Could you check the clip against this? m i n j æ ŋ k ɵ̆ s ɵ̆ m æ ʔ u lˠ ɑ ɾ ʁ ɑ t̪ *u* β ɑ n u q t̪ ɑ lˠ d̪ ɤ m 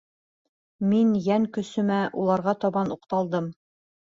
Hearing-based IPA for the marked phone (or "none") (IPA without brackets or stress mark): ɒ